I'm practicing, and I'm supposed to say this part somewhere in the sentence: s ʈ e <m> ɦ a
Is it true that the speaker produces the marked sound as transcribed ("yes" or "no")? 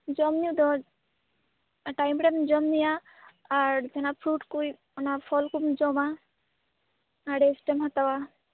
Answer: yes